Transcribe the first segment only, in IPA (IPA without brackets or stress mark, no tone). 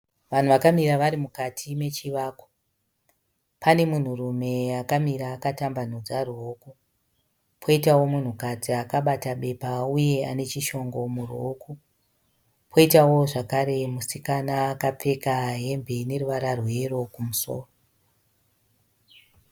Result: ʋ